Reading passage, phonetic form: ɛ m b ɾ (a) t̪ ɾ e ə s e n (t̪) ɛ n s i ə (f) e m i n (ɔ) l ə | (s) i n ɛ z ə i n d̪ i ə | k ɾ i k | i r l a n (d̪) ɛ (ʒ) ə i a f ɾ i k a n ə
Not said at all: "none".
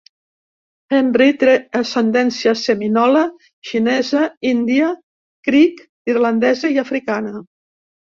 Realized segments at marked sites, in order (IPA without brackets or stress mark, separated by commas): i, d̪, s, ɔ, ʃ, d̪, z